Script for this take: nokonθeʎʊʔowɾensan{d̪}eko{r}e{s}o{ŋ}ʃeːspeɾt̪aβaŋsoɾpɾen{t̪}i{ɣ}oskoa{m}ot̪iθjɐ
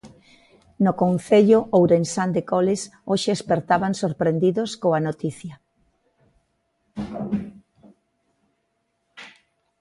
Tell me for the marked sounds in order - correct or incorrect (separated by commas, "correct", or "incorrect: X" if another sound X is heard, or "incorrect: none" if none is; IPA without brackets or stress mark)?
correct, incorrect: l, correct, incorrect: none, incorrect: d̪, incorrect: ð, incorrect: n